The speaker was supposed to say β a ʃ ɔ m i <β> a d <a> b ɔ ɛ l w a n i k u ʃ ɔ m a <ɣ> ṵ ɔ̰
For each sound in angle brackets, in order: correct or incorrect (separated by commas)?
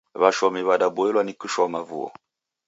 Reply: correct, correct, incorrect